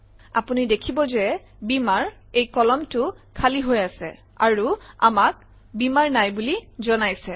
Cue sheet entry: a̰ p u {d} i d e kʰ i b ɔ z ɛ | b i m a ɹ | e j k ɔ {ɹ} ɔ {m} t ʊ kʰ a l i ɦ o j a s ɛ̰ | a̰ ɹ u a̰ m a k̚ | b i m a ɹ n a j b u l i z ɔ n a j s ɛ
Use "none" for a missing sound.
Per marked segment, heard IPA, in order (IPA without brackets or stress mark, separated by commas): n, l, m